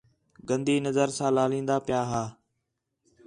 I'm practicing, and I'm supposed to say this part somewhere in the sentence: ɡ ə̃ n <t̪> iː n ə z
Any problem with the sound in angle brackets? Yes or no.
yes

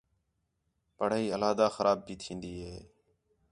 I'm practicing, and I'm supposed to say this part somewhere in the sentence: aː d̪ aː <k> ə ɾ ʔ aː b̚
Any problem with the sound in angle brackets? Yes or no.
yes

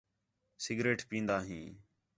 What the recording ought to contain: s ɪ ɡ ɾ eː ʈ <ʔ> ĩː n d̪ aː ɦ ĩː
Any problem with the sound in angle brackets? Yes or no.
yes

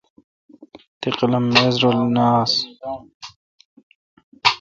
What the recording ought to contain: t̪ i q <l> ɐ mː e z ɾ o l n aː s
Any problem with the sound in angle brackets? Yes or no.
no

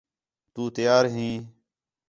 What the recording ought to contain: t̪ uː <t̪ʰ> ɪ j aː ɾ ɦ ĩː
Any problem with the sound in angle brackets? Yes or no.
yes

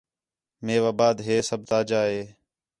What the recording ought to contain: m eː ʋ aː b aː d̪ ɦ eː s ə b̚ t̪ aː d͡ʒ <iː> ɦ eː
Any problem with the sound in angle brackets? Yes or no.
yes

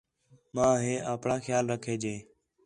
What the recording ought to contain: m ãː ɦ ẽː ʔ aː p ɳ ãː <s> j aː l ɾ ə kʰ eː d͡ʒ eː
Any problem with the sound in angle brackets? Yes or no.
yes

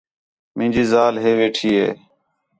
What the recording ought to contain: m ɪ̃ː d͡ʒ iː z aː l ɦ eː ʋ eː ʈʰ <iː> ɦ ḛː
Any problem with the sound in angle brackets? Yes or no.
no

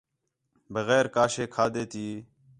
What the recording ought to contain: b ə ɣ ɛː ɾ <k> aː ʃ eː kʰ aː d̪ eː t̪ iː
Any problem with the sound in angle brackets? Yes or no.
no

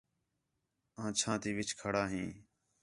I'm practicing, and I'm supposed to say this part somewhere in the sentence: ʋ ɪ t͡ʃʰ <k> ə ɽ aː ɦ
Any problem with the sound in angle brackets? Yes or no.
yes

